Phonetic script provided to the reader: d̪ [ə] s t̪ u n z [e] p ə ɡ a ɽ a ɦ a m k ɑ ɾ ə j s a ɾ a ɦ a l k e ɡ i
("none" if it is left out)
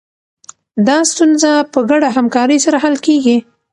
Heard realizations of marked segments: ɑ, a

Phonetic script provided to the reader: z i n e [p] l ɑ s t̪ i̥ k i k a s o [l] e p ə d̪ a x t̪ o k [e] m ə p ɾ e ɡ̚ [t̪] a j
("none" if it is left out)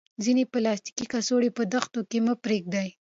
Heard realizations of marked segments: p, ɽ, e, d̪

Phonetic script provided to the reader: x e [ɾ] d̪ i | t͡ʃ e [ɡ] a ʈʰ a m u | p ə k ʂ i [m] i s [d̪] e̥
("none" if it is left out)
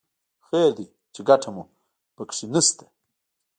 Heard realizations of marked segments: ɾ, ɡ, n, t̪

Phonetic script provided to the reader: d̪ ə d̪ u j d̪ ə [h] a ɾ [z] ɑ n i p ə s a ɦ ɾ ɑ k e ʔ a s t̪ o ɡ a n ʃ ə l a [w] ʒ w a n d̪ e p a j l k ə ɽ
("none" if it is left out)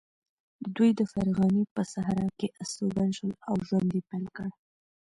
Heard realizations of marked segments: f, ɣ, w

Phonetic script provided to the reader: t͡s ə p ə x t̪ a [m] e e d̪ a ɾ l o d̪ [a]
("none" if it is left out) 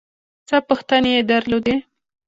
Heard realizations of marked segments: n, e

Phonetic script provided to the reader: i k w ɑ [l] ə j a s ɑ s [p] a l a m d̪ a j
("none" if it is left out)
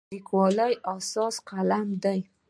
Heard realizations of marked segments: l, q

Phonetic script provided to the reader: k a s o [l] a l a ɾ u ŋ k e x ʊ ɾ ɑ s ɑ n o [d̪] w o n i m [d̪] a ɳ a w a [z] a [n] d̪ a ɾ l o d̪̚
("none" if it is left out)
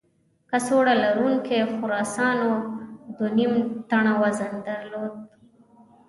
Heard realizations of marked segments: ɽ, d̪, t̪, z, n

